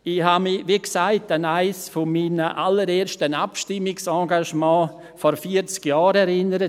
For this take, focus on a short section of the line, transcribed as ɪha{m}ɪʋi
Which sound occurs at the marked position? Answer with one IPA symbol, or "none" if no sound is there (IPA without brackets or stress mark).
m